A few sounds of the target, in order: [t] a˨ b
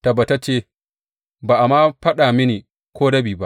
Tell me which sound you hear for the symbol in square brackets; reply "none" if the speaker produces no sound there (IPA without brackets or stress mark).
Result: t